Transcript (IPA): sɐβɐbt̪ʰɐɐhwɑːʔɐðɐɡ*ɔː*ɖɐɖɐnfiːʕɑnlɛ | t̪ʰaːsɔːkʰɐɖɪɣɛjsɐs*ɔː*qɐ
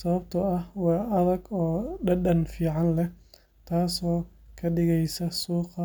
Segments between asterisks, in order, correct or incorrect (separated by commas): correct, incorrect